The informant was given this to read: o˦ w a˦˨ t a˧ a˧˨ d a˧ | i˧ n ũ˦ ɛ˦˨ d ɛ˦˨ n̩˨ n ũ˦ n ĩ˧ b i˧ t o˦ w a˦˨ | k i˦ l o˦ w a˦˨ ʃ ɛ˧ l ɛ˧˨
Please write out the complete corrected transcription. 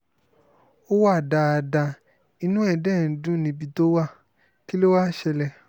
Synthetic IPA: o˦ w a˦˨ d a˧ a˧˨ d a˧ | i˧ n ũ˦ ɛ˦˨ d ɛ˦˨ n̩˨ d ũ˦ n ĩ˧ b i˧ t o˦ w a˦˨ | k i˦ l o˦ w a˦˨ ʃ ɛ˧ l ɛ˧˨